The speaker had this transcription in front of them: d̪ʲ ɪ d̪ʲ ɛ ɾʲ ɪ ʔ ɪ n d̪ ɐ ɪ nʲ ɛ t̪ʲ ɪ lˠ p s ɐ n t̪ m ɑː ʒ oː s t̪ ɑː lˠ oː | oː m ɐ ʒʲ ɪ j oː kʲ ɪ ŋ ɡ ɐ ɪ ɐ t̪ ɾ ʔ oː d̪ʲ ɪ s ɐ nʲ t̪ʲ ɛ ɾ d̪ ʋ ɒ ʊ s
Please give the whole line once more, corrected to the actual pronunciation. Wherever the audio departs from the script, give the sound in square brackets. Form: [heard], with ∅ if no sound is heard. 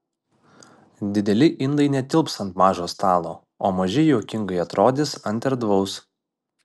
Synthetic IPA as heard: d̪ʲ ɪ d̪ʲ ɛ [lʲ] ɪ ʔ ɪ n d̪ ɐ ɪ nʲ ɛ t̪ʲ ɪ lˠ p s ɐ n t̪ m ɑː ʒ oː s t̪ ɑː lˠ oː | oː m ɐ ʒʲ ɪ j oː kʲ ɪ ŋ ɡ ɐ ɪ ɐ t̪ ɾ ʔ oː d̪ʲ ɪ s ɐ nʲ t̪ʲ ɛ ɾ d̪ ʋ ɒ ʊ s